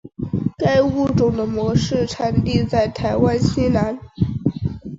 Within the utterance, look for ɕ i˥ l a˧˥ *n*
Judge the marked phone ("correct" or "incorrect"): correct